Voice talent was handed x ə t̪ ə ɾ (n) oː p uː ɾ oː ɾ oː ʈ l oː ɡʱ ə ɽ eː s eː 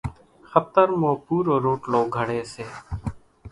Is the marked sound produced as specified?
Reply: no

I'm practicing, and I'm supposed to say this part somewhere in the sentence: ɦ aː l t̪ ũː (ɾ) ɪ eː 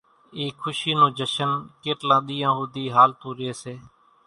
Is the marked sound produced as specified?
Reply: yes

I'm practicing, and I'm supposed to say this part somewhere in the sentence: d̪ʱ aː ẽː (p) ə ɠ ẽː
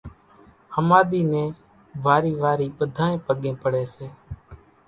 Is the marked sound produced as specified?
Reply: yes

